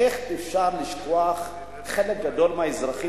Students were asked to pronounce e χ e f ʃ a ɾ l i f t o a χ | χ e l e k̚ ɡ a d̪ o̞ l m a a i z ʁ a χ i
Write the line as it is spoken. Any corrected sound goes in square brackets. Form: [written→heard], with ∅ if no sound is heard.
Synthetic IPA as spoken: e χ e f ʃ a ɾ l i [f→ʃ] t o a χ | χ e l e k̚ ɡ a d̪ o̞ l m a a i z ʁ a χ i